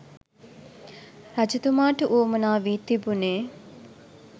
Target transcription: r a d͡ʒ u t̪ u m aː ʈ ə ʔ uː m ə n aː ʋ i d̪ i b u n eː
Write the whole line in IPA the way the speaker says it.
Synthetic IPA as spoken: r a d͡ʒ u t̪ u m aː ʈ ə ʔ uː m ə n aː ʋ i t̪ i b u n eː